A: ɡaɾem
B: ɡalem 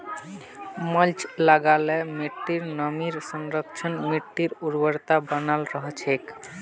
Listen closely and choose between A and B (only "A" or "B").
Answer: B